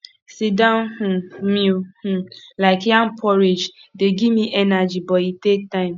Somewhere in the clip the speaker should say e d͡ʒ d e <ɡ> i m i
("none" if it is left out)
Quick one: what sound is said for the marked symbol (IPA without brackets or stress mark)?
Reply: ɡ